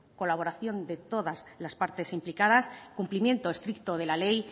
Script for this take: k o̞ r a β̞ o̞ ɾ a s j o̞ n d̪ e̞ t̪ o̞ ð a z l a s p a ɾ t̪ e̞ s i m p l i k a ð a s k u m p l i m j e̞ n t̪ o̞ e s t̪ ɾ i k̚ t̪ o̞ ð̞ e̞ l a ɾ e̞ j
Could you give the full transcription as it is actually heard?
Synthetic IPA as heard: k o̞ l a β̞ o̞ ɾ a θ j o̞ n d̪ e̞ t̪ o̞ ð a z l a s p a ɾ t̪ e̞ s i m p l i k a ð a s k u m p l i m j e̞ n t̪ o̞ e s t̪ ɾ i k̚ t̪ o̞ ð̞ e̞ l a l e̞ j